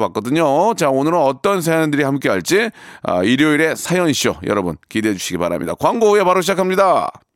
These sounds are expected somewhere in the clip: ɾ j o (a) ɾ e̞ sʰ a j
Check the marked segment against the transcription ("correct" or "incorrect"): incorrect